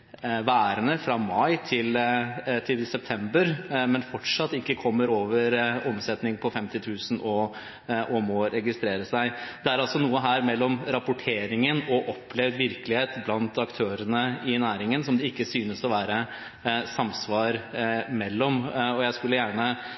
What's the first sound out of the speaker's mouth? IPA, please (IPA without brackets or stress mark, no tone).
ʋ